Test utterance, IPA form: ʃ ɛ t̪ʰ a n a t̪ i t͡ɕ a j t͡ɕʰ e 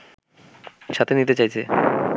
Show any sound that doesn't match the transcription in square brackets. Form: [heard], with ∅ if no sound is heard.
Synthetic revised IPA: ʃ [a] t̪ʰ [e] n [i] t̪ [e] t͡ɕ a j t͡ɕʰ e

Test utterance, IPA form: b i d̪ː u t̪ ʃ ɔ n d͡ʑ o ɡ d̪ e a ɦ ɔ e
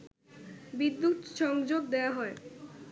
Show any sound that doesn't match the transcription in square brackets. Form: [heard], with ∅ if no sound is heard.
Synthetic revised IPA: b i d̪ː u t̪ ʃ ɔ [ŋ] d͡ʑ o ɡ d̪ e a ɦ ɔ e

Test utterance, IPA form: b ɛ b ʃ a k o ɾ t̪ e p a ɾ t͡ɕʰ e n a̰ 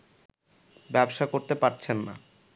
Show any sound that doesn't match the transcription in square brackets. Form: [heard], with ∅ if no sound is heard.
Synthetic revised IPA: b ɛ b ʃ a k o ɾ t̪ e p a ɾ t͡ɕʰ e [nː] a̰

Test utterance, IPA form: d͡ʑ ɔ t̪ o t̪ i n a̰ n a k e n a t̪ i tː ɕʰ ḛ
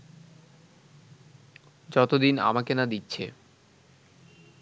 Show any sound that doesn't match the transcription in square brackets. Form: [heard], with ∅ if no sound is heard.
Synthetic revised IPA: d͡ʑ ɔ t̪ o [d̪] i n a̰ [m] a k e n a [d̪] i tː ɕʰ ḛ

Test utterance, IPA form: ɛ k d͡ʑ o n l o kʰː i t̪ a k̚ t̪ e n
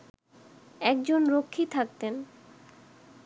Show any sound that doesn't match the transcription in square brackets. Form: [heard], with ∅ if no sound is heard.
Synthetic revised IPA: ɛ k d͡ʑ o n [ɾ] o kʰː i [t̪ʰ] a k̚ t̪ e n

